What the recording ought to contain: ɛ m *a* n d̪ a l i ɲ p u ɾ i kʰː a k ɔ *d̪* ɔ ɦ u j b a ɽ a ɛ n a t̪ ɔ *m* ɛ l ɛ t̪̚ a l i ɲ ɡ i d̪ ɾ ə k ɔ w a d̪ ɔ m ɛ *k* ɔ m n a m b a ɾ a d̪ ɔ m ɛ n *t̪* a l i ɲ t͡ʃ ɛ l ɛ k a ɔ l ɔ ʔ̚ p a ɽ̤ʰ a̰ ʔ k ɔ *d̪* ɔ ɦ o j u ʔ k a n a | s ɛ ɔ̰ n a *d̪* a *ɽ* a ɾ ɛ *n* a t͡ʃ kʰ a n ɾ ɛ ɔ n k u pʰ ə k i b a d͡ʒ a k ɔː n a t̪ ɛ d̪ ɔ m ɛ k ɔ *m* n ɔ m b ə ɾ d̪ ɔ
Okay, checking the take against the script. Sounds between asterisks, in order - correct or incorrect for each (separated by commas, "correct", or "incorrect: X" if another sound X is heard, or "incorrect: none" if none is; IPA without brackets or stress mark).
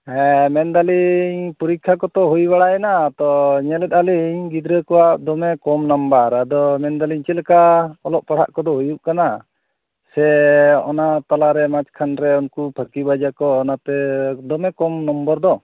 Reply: incorrect: ɛ, incorrect: t̪, incorrect: ɲ, correct, incorrect: d̪, correct, incorrect: t̪, incorrect: l, incorrect: m, correct